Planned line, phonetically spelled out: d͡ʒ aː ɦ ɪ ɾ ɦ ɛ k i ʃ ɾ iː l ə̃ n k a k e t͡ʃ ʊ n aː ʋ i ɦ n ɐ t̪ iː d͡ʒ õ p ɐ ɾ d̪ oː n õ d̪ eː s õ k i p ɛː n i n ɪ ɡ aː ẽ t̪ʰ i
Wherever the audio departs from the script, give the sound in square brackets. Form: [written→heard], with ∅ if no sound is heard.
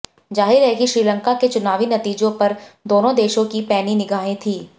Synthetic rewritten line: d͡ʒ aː ɦ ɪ ɾ ɦ ɛ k i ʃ ɾ iː l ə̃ [n→ŋ] k a k e t͡ʃ ʊ n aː ʋ i [ɦ→∅] n ɐ t̪ iː d͡ʒ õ p ɐ ɾ d̪ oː n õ d̪ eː [s→ʃ] õ k i p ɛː n i n ɪ ɡ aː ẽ t̪ʰ [i→iː]

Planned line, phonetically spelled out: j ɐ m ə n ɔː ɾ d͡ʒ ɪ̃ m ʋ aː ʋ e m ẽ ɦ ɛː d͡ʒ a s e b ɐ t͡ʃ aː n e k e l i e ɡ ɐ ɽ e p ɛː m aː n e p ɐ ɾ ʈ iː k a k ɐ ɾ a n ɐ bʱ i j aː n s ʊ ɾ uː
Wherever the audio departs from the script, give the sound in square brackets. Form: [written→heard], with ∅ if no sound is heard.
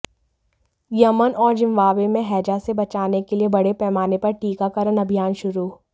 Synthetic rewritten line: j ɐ m ə n ɔː ɾ d͡ʒ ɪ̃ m ʋ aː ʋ e m ẽ ɦ ɛː d͡ʒ a s e b ɐ t͡ʃ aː n e k e l i e [ɡ→b] ɐ ɽ e p ɛː m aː n e p ɐ ɾ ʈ iː k a k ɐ ɾ [a→ə] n ɐ bʱ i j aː n [s→ʃ] ʊ ɾ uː

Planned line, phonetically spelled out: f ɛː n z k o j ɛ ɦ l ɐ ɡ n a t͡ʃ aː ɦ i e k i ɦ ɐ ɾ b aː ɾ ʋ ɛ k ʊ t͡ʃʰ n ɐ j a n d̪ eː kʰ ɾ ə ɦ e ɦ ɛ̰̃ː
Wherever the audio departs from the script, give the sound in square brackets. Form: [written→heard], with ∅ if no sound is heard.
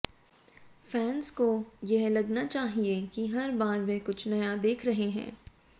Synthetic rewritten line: f ɛː n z k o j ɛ ɦ l ɐ ɡ n a t͡ʃ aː ɦ i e k i ɦ ɐ ɾ b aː ɾ ʋ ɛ k ʊ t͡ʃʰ n ɐ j a [n→∅] d̪ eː kʰ ɾ [ə→ɐ] ɦ e ɦ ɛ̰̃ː

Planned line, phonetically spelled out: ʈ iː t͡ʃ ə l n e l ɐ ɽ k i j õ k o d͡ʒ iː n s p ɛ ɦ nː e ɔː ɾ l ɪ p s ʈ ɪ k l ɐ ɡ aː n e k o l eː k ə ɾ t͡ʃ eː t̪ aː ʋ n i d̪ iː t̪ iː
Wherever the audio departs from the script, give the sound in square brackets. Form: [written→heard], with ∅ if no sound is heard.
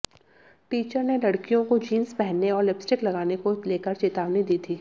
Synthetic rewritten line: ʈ iː t͡ʃ ə [l→ɾ] n e l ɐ ɽ k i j õ k o d͡ʒ iː n s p ɛ ɦ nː e ɔː ɾ l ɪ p s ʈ ɪ k l ɐ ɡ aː n e k o l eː k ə ɾ t͡ʃ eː t̪ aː ʋ n i d̪ iː [t̪→t̪ʰ] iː

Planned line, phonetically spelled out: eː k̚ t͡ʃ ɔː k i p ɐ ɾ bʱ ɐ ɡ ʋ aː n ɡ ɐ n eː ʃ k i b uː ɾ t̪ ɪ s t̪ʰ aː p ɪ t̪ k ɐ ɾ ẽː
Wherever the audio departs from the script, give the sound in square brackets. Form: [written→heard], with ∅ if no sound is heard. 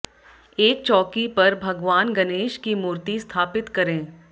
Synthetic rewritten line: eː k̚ t͡ʃ ɔː k i p ɐ ɾ bʱ ɐ ɡ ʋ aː n ɡ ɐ n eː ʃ k i [b→m] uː ɾ t̪ [ɪ→i] s t̪ʰ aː p ɪ t̪ k ɐ ɾ ẽː

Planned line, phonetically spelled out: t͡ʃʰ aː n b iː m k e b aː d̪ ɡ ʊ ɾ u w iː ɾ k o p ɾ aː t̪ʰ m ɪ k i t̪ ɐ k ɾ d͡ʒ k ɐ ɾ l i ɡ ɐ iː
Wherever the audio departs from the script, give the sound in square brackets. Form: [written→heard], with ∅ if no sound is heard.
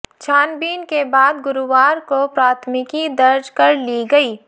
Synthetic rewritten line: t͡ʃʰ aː n b iː [m→n] k e b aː d̪ ɡ ʊ ɾ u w [iː→aː] ɾ k o p ɾ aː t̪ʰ m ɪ k i [t̪→d̪] ɐ [k→∅] ɾ d͡ʒ k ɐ ɾ l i ɡ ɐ iː

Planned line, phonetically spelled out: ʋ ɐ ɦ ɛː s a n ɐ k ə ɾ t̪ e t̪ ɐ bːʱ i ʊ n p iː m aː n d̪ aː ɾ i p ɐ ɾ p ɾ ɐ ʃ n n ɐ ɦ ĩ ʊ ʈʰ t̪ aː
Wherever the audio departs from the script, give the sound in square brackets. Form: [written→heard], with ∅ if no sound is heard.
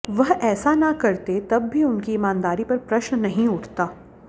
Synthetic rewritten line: ʋ ɐ ɦ ɛː s a n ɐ k [ə→ɐ] ɾ t̪ e t̪ ɐ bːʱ i ʊ n [p→k] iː m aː n d̪ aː ɾ i p ɐ ɾ p ɾ ɐ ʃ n n ɐ ɦ ĩ ʊ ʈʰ t̪ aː

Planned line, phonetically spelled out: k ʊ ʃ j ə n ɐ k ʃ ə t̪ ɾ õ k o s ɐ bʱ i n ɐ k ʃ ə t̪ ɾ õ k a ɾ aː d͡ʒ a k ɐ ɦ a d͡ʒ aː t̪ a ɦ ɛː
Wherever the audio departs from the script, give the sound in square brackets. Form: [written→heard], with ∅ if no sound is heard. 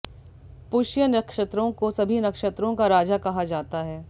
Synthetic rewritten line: [k→p] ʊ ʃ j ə n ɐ k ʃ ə t̪ ɾ õ k o s ɐ bʱ i n ɐ k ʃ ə t̪ ɾ õ k a ɾ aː d͡ʒ a k ɐ ɦ a d͡ʒ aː t̪ a ɦ ɛː

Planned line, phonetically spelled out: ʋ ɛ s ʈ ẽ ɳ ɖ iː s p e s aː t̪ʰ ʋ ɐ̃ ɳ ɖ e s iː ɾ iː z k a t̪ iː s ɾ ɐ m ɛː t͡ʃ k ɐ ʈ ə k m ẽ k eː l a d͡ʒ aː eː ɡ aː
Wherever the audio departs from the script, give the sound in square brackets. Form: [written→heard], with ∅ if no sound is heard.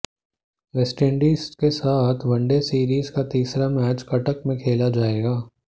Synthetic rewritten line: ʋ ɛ s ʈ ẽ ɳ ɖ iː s [p→k] e s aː t̪ʰ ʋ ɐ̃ ɳ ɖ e s iː ɾ iː z k a t̪ iː s ɾ [ɐ→a] m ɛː t͡ʃ k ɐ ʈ ə k m ẽ [k→kʰ] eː l a d͡ʒ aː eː ɡ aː

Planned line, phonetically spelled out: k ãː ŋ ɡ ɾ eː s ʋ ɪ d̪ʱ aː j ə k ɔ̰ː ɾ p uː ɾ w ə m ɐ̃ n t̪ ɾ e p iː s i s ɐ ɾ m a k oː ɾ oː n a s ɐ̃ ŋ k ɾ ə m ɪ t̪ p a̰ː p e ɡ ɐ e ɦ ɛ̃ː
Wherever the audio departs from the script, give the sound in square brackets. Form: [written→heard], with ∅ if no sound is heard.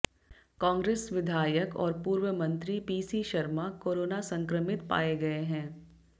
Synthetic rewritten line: k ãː ŋ ɡ ɾ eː s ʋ ɪ d̪ʱ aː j ə k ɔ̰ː ɾ p uː ɾ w ə m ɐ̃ n t̪ ɾ [e→i] p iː s i [s→ʃ] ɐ ɾ m a k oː ɾ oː n a s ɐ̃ ŋ k ɾ ə m ɪ t̪ p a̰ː [p→∅] e ɡ ɐ e ɦ ɛ̃ː

